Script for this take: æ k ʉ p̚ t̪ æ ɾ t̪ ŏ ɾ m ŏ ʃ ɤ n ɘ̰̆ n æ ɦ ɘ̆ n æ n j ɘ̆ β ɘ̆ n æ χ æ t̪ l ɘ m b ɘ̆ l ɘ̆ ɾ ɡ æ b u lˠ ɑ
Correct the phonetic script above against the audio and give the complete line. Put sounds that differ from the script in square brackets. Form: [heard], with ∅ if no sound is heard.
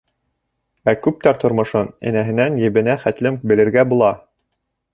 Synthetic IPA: æ k ʉ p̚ t̪ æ ɾ t̪ ŏ ɾ m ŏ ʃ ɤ n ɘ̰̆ n æ ɦ ɘ̆ n æ n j ɘ̆ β ɘ̆ n æ χ æ t̪ l ɘ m b ɘ̆ l ɘ̆ ɾ ɡ æ b u lˠ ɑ